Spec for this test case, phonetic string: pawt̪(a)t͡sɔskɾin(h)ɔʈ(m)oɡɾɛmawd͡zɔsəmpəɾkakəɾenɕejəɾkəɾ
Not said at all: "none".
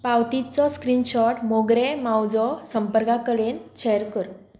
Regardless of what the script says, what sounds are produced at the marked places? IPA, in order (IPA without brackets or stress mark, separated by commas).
i, ɕ, m